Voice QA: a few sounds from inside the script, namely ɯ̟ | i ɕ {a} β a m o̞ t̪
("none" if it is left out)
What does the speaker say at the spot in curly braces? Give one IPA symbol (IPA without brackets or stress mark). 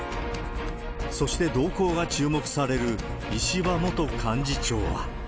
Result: i